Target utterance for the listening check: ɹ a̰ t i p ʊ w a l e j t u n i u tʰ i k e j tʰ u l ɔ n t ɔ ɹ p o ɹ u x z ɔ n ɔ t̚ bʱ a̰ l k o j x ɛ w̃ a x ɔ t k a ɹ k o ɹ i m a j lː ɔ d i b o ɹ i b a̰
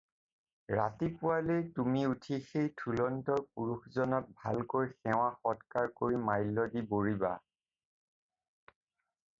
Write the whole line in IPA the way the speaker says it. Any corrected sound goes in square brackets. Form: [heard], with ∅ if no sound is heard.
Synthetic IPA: ɹ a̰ t i p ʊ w a l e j t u [m] i u tʰ i [x] e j tʰ u l ɔ n t ɔ ɹ p [u] ɹ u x z ɔ n ɔ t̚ bʱ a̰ l k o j x ɛ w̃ a x ɔ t k a ɹ k o ɹ i m a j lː ɔ d i b o ɹ i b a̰